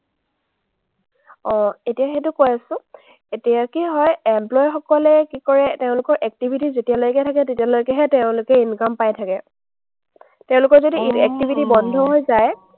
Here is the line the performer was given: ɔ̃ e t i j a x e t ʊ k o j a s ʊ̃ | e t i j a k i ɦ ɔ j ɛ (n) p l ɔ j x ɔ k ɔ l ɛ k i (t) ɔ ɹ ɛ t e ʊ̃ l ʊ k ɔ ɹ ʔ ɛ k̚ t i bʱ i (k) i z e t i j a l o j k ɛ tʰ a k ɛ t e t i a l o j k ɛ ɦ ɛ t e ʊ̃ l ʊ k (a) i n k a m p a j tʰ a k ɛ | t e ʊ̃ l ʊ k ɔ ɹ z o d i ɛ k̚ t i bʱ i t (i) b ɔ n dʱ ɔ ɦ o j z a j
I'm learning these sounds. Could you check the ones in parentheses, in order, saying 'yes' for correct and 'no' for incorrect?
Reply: no, no, no, no, yes

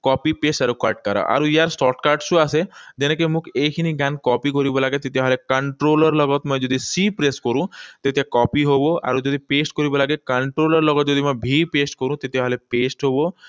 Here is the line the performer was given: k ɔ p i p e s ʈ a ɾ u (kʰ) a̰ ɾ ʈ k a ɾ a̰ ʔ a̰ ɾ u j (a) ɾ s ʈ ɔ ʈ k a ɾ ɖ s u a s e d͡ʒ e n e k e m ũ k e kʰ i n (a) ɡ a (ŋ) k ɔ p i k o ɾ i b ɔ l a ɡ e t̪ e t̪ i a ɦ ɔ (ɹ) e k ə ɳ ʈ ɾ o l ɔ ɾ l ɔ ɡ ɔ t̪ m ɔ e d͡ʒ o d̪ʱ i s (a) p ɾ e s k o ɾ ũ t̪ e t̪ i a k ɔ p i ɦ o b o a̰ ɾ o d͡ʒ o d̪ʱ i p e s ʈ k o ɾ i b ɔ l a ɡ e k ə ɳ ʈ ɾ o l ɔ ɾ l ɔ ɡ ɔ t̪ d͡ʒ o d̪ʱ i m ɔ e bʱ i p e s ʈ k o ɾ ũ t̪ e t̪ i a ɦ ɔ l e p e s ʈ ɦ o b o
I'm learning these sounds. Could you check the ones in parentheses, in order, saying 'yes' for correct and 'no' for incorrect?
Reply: no, yes, no, no, no, no

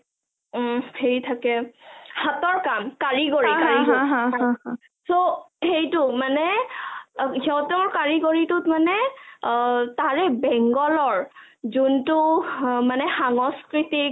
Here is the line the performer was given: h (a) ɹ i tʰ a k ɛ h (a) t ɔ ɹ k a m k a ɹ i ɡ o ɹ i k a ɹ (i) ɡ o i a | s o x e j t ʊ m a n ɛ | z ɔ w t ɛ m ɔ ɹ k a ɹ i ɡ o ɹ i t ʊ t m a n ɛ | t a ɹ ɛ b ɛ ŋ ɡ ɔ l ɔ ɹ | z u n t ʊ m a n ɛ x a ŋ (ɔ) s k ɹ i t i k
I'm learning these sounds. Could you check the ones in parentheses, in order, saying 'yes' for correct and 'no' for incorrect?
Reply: no, yes, yes, yes

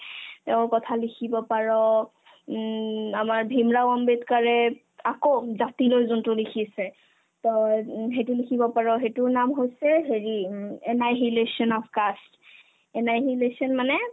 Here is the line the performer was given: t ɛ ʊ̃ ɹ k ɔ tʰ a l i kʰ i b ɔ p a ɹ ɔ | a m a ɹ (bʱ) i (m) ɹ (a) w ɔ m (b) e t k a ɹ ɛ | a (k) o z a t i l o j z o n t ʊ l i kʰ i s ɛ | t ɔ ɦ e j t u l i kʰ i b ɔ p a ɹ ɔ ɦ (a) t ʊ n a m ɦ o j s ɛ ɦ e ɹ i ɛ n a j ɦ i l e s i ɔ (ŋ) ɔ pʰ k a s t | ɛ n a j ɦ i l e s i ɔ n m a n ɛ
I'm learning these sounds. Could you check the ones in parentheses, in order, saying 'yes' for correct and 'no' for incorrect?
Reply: yes, yes, yes, yes, yes, no, no

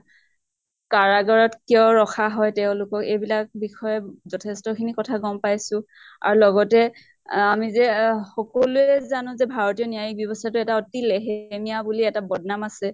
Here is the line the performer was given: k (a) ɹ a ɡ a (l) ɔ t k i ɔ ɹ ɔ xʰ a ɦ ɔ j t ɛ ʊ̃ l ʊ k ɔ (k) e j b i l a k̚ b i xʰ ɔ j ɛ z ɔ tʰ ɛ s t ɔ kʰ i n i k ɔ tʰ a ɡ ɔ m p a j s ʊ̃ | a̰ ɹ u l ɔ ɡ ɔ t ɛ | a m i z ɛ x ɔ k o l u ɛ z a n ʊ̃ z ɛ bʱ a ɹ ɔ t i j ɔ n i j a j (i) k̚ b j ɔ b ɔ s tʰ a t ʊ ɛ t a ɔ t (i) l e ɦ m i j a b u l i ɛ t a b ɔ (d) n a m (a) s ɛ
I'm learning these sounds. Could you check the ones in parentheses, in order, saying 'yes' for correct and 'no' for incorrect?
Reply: yes, no, yes, yes, yes, yes, yes

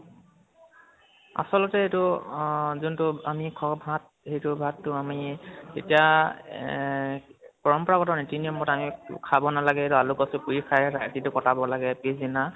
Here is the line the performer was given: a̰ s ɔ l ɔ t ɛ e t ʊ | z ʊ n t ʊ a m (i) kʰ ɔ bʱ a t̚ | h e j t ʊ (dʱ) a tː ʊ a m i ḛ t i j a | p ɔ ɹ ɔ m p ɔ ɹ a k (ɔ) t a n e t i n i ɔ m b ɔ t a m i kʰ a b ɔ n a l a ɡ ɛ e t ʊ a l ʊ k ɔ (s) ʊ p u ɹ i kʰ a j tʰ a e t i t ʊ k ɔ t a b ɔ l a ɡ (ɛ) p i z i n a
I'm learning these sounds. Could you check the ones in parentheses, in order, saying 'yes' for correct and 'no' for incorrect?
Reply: yes, no, yes, yes, yes

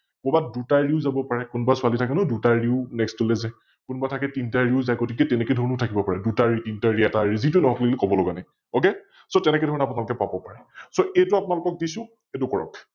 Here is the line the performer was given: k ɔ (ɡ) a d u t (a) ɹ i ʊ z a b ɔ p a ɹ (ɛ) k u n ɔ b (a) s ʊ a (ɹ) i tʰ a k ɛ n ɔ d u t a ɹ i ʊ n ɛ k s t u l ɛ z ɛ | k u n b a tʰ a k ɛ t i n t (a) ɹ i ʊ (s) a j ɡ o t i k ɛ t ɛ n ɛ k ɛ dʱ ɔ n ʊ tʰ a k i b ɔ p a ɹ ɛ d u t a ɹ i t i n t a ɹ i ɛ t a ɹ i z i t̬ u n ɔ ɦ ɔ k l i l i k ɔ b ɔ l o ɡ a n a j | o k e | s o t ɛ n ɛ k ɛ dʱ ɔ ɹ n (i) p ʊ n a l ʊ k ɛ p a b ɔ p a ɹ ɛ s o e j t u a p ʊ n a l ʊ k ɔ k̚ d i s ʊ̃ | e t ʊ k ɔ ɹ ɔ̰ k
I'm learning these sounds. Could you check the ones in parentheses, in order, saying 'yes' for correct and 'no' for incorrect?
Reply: no, yes, yes, yes, no, yes, no, no

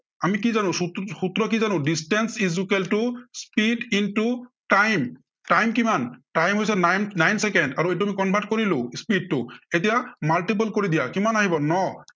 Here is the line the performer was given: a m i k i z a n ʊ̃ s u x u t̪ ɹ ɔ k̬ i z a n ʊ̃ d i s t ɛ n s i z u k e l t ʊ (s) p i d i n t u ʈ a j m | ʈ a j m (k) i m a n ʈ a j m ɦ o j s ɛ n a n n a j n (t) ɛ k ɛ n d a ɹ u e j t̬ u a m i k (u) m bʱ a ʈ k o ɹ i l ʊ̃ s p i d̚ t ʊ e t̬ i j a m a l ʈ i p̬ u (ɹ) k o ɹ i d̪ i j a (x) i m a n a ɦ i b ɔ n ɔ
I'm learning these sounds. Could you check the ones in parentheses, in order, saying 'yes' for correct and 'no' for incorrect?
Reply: yes, yes, no, no, no, no

